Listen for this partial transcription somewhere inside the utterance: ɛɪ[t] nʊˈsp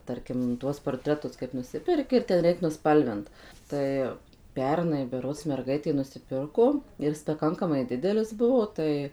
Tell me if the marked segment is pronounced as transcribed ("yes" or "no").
no